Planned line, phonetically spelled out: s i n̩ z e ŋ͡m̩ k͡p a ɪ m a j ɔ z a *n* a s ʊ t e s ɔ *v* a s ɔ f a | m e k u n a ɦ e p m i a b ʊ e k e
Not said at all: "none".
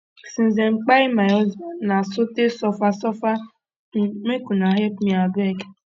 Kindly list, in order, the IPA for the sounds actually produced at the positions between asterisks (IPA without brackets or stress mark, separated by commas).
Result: n, f